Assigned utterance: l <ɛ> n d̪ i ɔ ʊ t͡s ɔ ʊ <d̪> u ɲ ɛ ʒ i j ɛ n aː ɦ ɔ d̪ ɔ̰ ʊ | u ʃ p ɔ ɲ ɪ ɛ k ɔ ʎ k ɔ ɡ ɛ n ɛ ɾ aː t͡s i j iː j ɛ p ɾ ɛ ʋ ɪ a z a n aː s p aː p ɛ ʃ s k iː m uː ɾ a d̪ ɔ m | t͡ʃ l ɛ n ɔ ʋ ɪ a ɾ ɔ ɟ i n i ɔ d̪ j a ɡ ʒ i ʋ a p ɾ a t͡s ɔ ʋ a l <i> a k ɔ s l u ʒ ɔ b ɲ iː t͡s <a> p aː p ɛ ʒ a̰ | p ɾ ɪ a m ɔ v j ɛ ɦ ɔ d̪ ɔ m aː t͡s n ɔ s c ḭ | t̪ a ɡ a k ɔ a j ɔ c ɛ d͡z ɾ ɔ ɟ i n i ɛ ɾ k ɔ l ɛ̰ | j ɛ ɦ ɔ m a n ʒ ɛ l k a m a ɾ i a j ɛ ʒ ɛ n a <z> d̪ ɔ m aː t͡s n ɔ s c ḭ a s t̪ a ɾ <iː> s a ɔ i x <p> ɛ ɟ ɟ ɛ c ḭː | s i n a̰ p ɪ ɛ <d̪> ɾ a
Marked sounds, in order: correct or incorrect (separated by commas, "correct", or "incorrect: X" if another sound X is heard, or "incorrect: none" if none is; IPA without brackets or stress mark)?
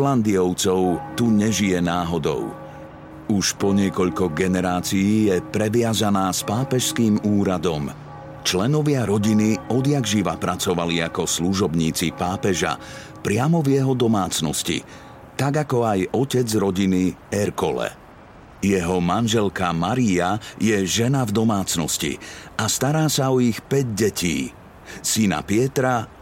incorrect: a, incorrect: t̪, correct, incorrect: i, incorrect: v, incorrect: aː, correct, incorrect: t̪